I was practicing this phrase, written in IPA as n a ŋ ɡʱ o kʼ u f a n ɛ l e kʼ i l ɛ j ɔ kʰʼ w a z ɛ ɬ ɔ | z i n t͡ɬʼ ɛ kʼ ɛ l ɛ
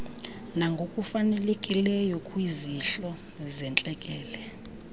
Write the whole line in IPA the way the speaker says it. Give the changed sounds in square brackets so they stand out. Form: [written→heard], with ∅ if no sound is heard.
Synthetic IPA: n a ŋ ɡʱ o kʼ u f a n ɛ l e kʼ i l ɛ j ɔ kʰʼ w [a→i] z [ɛ→i] ɬ ɔ | z [i→ɛ] n t͡ɬʼ ɛ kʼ [ɛ→ɛː] l ɛ